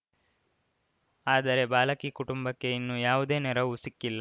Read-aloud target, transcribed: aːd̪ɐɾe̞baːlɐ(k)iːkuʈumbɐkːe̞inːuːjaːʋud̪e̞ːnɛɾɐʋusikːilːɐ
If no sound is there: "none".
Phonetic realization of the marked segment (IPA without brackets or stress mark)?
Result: k